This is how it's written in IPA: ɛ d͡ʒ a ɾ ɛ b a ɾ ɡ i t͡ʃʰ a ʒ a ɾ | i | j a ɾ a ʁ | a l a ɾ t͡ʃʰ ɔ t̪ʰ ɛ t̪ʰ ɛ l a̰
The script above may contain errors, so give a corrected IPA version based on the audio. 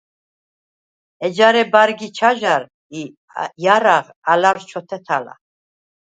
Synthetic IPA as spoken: ɛ d͡ʒ a ɾ ɛ b a ɾ ɡ i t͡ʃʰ a ʒ a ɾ | i | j a ɾ a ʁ | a l a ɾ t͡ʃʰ ɔ t̪ʰ ɛ t̪ʰ a l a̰